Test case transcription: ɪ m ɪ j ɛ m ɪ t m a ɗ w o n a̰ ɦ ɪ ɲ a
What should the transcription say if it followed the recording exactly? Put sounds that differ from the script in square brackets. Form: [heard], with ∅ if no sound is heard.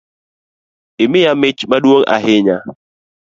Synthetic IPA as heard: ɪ m ɪ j [a] m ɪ [t͡ʃ] m a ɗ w o [ŋ] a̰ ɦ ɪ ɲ a